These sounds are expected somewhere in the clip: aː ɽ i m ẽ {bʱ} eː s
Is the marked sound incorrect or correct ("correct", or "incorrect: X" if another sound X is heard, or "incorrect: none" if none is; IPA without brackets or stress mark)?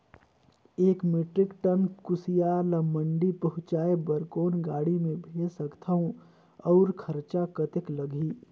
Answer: correct